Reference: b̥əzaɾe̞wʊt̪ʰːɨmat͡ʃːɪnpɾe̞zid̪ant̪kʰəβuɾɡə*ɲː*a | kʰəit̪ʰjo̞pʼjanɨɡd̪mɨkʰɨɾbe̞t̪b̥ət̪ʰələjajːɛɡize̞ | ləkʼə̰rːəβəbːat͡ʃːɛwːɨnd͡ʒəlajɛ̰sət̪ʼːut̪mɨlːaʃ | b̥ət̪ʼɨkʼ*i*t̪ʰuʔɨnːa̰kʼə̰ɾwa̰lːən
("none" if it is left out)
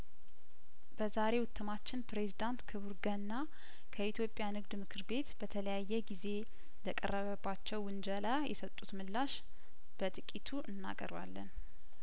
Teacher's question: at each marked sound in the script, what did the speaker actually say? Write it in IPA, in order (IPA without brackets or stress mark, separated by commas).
nː, i